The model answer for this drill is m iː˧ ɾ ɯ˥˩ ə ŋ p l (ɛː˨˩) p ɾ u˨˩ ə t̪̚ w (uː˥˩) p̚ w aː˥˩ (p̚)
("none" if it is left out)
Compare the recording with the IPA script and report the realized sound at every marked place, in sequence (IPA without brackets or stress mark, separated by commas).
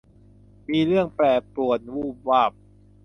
ɛː˨˩, uː˥˩, p̚